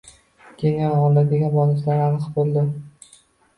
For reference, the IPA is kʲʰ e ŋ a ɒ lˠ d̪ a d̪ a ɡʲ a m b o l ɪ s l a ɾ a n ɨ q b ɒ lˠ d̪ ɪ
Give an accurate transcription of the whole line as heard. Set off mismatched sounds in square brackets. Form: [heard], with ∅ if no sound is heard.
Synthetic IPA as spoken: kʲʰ e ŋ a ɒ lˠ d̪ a d̪ [e] ɡʲ a [n] b [ɒ] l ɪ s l a ɾ a n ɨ q b [o] lˠ d̪ ɪ